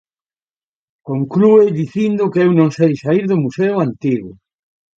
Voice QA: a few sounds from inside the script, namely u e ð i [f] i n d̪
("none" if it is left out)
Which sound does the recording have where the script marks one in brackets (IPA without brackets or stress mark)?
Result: θ